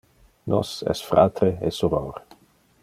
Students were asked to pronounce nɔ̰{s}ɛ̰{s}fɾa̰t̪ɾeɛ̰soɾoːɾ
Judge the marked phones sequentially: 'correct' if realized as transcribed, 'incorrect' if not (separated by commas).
correct, correct